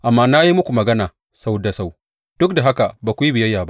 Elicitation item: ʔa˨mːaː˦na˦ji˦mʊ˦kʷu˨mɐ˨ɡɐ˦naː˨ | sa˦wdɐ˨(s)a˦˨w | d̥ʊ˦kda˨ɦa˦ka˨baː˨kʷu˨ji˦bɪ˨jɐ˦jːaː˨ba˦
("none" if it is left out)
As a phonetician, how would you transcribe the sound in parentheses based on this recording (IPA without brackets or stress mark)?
s